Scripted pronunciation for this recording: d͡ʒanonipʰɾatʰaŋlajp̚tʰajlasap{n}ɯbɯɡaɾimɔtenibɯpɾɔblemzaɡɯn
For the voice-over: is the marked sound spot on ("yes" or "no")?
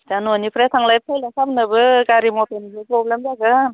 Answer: yes